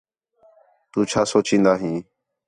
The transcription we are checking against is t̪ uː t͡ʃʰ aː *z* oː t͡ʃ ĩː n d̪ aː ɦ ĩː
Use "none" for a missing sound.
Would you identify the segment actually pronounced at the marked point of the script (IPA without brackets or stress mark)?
s